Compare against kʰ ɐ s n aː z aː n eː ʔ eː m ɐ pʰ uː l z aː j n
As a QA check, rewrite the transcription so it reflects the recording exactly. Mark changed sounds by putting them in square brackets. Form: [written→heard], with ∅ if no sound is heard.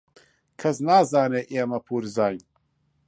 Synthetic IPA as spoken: kʰ ɐ s n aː z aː n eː ʔ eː m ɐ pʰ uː [l→ɾ] z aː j n